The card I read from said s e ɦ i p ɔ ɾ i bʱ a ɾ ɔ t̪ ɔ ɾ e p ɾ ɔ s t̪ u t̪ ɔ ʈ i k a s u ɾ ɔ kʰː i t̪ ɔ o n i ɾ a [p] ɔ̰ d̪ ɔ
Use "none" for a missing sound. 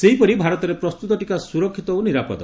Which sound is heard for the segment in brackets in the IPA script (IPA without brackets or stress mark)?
p